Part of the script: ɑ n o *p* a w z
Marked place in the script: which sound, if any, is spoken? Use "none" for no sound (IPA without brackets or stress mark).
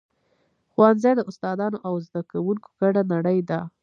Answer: ʔ